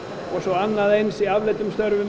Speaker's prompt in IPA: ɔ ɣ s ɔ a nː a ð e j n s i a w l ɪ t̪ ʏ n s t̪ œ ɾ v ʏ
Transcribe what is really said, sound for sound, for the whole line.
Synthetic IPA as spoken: ɔ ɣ s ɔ a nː a ð e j n s i a v l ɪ t̪ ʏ m s t̪ œ ɾ v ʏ

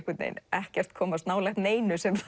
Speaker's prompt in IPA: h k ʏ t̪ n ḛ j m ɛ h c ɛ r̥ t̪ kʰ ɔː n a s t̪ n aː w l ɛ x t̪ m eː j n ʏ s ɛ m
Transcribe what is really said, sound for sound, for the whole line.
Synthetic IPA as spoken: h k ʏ t̪ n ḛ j n ɛ h c ɛ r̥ t̪ kʰ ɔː m a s t̪ n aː w l ɛ x t̪ n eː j n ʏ s ɛ m

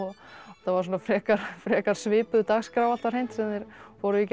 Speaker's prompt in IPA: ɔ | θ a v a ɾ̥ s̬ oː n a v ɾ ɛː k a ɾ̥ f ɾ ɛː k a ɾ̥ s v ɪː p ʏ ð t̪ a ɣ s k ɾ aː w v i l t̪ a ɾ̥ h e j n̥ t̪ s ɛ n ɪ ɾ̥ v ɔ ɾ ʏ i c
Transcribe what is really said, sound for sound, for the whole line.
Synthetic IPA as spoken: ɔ | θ a v a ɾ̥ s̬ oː n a f ɾ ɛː k a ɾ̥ f ɾ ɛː k a ɾ̥ s v ɪː p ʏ ð t̪ a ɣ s k ɾ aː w v a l t̪ a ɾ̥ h e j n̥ t̪ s ɛ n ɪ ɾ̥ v ɔ ɾ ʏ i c

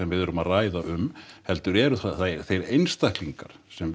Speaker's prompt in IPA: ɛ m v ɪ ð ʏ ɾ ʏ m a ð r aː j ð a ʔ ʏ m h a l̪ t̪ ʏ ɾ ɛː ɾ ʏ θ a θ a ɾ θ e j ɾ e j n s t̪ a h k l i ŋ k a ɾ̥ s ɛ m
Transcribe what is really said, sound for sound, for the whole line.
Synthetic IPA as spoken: ɛ m v ɪ ð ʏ ɾ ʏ m a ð r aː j ð a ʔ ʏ m h ɛ l̪ t̪ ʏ ɾ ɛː ɾ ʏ θ a θ a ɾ θ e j ɾ e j n s t̪ a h k l i ŋ k a ɾ̥ s ɛ m

